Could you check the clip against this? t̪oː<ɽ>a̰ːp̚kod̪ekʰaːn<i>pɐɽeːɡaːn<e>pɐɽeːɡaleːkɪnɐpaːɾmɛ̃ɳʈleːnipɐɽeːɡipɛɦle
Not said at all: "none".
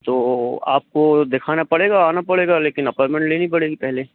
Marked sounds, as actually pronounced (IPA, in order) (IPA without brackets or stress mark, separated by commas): none, a, a